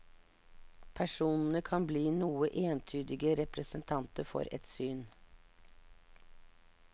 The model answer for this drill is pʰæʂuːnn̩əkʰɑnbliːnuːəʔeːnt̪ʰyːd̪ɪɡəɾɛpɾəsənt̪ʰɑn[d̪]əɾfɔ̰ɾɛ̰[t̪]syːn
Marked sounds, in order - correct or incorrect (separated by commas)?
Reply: incorrect, correct